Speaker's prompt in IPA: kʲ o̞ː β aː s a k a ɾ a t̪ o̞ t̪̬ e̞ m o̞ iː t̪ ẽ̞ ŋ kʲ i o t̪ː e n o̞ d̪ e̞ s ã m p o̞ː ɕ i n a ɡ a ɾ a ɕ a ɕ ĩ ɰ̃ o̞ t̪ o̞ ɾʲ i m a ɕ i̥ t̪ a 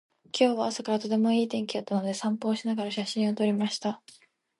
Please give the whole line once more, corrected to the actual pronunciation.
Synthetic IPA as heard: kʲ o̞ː β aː s a k a ɾ a t̪ o̞ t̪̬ e̞ m o̞ iː t̪ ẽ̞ ŋ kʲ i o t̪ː a n o̞ d̪ e̞ s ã m p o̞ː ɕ i n a ɡ a ɾ a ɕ a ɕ ĩ ɰ̃ o̞ t̪ o̞ ɾʲ i m a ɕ i̥ t̪ a